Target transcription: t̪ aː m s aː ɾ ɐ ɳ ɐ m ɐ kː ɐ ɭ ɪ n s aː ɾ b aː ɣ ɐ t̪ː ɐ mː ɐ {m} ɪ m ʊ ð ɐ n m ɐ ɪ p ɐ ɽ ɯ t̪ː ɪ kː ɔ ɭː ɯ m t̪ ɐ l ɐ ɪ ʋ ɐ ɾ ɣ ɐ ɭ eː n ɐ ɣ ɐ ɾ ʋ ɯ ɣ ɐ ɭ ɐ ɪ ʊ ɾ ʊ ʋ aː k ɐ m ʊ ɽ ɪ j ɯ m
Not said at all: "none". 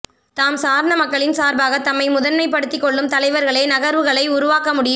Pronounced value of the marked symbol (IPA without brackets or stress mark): none